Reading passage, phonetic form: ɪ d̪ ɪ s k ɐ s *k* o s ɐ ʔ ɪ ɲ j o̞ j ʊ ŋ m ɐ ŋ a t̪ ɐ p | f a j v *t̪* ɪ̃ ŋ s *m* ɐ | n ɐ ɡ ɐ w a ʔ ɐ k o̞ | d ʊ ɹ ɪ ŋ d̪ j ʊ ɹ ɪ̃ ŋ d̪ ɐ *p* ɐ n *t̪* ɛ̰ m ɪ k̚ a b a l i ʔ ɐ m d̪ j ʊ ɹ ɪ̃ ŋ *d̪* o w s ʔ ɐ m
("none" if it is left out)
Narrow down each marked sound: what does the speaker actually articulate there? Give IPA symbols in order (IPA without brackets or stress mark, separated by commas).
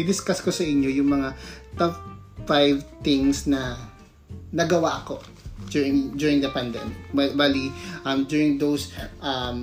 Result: k, t̪, n, p, d̪, d̪